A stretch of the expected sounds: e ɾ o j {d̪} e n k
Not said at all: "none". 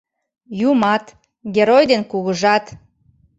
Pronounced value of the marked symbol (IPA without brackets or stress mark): d̪